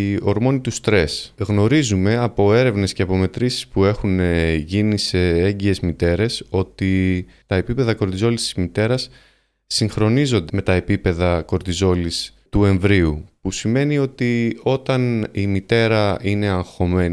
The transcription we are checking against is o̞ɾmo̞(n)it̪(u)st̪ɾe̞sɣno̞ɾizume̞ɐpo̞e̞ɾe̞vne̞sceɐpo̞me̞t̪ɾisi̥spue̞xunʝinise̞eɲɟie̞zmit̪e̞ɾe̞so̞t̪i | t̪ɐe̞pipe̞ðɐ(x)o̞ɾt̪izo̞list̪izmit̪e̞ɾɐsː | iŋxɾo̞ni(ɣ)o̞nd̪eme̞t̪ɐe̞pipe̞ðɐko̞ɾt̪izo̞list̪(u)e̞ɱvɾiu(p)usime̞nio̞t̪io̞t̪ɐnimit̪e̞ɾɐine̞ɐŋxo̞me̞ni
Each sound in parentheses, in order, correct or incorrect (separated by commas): correct, correct, incorrect, incorrect, correct, correct